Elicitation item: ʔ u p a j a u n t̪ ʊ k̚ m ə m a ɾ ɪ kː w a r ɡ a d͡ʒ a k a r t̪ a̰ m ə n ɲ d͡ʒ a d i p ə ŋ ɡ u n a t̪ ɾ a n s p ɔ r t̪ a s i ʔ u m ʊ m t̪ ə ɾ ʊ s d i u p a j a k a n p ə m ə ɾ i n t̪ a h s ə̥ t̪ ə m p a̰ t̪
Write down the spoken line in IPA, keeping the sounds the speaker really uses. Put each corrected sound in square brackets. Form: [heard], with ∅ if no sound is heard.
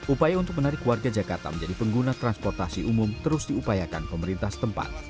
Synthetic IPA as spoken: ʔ u p a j a u n t̪ ʊ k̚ m ə [n] a ɾ ɪ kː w a r ɡ a d͡ʒ a k a r t̪ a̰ m ə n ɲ d͡ʒ a d i p ə ŋ ɡ u n a t̪ ɾ a n s p ɔ r t̪ a s i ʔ u m ʊ m t̪ ə ɾ ʊ s d i u p a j a k a n p ə m ə ɾ i n t̪ a h s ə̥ t̪ ə m p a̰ t̪